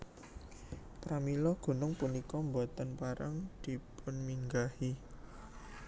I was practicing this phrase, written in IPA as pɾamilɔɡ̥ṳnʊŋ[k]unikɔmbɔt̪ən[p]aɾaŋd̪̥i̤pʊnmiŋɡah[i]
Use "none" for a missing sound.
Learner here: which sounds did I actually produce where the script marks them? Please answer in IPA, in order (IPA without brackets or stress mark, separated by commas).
p, p, i